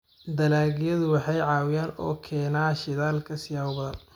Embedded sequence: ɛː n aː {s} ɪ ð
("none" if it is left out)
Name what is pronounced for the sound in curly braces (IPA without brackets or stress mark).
ʃ